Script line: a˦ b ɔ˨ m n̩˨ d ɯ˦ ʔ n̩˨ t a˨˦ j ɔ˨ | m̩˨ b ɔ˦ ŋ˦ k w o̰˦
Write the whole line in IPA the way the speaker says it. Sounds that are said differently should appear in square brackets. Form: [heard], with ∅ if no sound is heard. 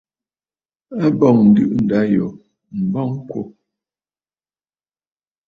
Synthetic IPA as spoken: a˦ b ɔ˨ [ŋ] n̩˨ d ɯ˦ ʔ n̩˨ [d] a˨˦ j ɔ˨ | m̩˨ b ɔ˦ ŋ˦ k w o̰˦